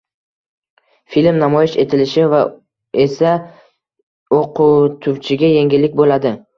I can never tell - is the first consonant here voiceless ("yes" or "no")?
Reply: yes